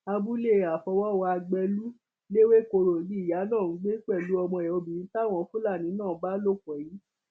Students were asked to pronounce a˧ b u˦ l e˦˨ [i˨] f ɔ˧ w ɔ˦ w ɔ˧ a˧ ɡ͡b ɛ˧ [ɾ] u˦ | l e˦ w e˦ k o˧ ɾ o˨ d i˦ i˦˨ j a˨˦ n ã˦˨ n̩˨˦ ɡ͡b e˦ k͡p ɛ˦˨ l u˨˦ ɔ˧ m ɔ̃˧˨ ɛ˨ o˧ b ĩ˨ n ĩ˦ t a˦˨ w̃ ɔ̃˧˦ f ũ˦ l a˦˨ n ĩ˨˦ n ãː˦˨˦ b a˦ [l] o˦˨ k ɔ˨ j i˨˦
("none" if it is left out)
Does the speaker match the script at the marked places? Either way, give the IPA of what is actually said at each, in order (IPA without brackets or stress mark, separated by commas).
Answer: a˨, l, l